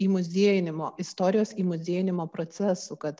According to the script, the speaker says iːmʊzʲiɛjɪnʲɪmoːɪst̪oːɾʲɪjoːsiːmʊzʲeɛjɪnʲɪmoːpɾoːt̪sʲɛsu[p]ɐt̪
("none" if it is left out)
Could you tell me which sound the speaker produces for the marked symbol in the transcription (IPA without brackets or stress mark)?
k